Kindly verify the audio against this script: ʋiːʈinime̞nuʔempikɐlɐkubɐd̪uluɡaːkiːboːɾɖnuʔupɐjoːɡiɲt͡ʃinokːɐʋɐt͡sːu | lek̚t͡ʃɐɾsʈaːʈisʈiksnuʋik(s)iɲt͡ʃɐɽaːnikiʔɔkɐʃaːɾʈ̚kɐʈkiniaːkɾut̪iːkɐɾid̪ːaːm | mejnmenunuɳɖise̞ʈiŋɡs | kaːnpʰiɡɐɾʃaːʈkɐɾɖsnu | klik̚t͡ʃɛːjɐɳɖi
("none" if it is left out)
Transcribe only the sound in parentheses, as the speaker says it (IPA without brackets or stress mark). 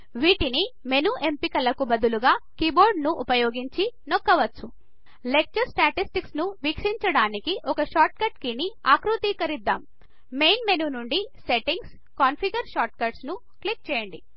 ʂ